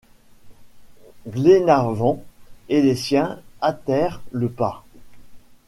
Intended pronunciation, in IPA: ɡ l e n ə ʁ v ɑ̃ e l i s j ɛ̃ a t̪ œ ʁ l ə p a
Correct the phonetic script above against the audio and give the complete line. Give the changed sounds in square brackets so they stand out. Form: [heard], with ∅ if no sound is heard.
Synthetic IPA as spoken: ɡ l e n [a] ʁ v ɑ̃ e l [e] s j ɛ̃ a t̪ [ɛ] ʁ l ə p a